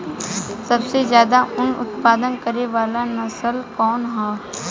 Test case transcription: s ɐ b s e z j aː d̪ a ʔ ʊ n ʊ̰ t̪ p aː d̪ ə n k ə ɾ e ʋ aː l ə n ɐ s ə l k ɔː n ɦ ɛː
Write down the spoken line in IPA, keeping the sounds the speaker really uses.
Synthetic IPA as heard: s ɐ b s e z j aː d̪ a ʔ ʊ n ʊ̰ t̪ p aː d̪ ə n k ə ɾ e ʋ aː l a n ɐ s ə l k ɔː n ɦ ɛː